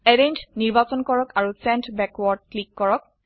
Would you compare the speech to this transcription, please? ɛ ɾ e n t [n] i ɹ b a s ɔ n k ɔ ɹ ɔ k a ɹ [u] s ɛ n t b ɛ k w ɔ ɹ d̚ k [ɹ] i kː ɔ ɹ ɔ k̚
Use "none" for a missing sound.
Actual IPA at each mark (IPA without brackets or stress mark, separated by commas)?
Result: n, u, l